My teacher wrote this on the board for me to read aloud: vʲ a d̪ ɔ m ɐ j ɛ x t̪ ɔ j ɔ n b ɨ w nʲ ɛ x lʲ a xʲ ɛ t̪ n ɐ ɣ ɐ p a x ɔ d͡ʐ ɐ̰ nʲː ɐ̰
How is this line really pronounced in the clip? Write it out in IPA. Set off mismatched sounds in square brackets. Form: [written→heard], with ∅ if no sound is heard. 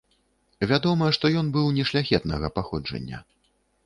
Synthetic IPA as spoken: vʲ a d̪ ɔ m ɐ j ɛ [x→ʂ] t̪ ɔ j ɔ n b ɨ w nʲ ɛ [x→ʂ] lʲ a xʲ ɛ t̪ n ɐ ɣ ɐ p a x ɔ d͡ʐ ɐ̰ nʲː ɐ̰